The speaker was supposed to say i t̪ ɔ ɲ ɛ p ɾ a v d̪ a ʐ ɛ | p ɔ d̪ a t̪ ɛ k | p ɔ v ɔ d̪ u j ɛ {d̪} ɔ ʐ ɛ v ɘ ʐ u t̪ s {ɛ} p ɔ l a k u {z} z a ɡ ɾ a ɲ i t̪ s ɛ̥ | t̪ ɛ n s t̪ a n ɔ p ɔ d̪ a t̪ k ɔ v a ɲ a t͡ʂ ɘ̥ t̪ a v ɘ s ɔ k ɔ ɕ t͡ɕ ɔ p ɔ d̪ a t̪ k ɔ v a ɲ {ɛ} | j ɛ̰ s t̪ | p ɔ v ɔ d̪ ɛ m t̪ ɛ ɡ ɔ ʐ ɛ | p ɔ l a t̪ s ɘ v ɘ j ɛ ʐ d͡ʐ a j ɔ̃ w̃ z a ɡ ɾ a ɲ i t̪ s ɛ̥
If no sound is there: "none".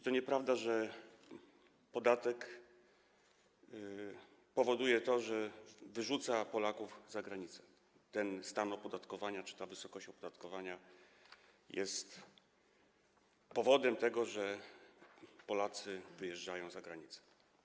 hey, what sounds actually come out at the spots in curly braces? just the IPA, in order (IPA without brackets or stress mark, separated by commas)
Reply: t̪, a, v, a